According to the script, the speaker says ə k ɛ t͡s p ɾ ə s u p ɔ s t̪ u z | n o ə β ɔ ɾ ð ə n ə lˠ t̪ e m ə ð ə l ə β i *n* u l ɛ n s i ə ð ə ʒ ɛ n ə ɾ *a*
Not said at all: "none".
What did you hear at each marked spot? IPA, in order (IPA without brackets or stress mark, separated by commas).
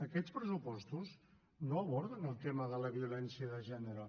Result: none, ə